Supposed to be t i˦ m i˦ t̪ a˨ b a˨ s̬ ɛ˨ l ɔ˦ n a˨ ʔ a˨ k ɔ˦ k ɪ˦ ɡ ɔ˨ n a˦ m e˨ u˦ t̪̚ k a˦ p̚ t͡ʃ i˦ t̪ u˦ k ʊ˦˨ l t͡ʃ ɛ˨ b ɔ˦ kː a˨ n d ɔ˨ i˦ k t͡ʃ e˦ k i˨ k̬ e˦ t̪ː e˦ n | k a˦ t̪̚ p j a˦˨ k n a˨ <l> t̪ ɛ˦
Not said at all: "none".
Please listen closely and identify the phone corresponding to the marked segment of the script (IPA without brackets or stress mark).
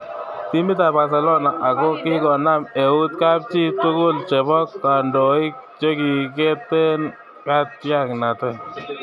none